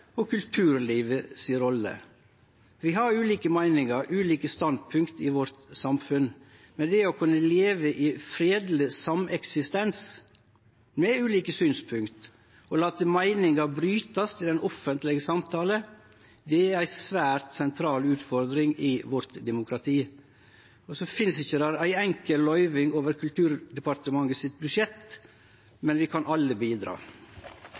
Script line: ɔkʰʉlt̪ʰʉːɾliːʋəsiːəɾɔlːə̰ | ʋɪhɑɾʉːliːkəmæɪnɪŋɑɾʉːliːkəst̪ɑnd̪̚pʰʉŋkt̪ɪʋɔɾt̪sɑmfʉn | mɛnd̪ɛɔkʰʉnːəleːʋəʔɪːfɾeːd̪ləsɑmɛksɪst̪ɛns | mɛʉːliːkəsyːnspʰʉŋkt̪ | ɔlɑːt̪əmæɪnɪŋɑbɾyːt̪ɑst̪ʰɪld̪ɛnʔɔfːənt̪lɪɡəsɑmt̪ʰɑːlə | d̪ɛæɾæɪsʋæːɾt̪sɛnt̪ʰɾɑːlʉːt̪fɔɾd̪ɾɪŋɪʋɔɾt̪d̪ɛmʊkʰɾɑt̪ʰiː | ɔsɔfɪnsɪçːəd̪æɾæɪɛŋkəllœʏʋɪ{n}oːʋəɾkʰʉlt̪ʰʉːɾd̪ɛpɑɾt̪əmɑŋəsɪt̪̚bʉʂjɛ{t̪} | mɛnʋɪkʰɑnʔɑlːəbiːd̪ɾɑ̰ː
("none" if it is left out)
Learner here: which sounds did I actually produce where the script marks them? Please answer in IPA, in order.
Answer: ŋ, t̪

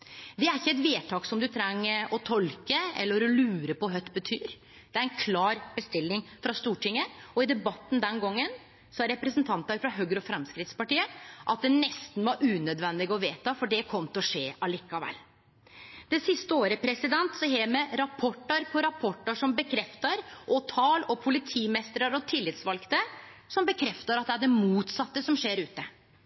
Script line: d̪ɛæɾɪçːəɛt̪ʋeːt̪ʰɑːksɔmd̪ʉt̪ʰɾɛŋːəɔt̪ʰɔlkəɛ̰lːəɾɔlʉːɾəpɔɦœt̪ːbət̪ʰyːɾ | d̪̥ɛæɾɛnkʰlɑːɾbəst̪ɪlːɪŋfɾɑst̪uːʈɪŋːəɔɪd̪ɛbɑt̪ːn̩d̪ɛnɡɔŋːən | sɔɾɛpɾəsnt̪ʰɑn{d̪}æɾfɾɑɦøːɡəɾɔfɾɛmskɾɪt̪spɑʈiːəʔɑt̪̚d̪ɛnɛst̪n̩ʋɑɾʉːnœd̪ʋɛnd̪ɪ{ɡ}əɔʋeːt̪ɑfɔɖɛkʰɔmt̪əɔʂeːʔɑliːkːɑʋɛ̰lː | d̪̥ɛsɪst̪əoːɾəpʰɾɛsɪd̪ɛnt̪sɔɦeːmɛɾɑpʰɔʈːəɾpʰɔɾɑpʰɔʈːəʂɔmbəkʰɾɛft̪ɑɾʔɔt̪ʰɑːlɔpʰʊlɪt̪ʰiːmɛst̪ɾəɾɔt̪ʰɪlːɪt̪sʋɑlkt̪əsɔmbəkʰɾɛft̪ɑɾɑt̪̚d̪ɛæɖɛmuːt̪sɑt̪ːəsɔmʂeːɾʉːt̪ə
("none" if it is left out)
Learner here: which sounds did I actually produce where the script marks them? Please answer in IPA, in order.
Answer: t̪, ɡ

